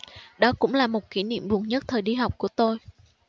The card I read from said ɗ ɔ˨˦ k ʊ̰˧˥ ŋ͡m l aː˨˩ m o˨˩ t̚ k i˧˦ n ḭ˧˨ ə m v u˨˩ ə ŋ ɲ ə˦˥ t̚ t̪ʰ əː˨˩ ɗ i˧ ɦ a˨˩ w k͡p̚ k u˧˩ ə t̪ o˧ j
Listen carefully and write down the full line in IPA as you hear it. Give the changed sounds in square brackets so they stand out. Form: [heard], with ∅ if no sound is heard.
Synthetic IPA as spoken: ɗ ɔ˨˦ k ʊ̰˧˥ ŋ͡m l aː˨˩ m o˨˩ t̚ k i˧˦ n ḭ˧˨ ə m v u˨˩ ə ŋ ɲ ə˦˥ t̚ t̪ʰ əː˨˩ ɗ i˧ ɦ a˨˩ w k͡p̚ k u˧˩ ə t̪ o˧ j